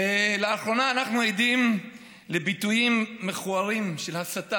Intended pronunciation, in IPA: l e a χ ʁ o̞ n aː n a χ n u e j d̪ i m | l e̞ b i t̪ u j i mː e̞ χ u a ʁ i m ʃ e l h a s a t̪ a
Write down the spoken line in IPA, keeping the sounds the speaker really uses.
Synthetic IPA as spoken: l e a χ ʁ o̞ n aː n a χ n u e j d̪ i m | l e̞ b i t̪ u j i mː e̞ χ u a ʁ i m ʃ e l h a s a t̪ a